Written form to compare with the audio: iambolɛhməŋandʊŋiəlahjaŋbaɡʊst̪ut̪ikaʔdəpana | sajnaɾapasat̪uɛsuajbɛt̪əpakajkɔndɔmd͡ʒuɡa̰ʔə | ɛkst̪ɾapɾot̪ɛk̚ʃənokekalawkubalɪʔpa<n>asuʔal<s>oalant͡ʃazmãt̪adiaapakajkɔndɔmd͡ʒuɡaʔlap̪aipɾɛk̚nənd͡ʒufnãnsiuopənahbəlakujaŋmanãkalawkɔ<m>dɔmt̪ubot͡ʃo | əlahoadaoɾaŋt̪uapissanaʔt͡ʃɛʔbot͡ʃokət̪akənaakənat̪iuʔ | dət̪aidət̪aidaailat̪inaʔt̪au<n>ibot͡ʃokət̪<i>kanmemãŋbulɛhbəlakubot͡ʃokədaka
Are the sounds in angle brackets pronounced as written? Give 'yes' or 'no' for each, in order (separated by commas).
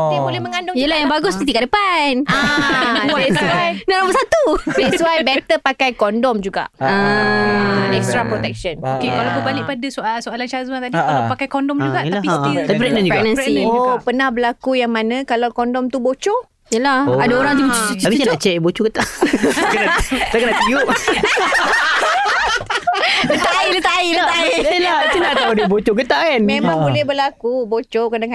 no, yes, no, no, no